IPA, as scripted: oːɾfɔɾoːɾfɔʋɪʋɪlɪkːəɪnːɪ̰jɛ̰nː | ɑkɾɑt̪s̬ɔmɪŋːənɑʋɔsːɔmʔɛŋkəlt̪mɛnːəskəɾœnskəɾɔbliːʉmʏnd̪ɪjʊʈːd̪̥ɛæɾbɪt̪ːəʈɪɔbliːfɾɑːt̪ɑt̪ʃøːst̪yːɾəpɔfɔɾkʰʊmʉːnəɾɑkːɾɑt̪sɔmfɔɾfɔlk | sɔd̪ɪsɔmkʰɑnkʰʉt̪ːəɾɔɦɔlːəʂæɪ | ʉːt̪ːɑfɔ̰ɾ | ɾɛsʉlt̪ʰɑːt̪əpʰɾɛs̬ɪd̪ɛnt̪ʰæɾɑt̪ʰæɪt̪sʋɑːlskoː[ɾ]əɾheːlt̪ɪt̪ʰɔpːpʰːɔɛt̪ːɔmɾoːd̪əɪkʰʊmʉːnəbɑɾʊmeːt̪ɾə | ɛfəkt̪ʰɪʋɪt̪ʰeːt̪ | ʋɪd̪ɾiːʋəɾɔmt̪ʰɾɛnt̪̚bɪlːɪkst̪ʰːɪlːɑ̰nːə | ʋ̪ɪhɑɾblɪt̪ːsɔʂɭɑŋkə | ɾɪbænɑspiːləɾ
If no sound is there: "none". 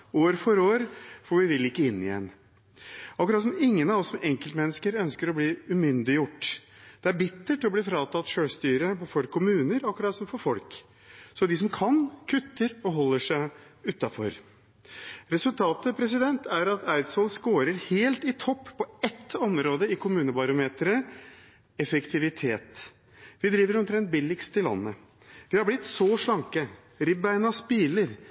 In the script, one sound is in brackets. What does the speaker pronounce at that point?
ɾ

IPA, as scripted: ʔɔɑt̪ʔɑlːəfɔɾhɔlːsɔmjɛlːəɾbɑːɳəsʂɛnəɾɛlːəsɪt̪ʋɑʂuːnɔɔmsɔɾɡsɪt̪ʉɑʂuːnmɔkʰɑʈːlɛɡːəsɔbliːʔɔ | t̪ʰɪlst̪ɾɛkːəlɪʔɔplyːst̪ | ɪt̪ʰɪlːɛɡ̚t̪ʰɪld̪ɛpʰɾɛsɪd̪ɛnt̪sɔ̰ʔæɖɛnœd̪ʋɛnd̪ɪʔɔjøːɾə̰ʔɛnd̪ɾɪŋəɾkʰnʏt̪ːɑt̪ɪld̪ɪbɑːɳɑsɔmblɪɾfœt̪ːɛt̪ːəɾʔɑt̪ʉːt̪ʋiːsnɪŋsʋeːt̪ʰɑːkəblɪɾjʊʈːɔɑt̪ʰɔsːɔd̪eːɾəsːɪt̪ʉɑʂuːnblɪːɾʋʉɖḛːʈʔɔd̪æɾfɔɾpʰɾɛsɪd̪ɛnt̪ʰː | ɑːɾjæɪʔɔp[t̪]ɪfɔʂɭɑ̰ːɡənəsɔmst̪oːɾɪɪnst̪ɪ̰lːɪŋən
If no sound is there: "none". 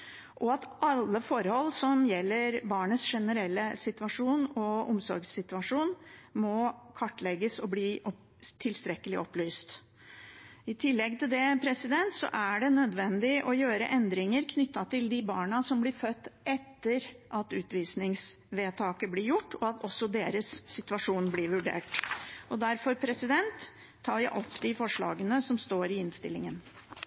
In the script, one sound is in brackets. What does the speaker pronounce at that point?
d̪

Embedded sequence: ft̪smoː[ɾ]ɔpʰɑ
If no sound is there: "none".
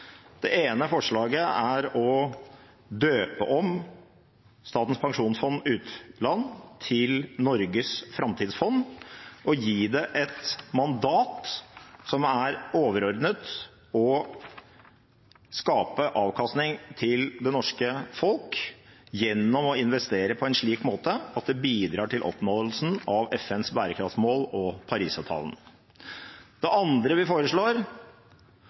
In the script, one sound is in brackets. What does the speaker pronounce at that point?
l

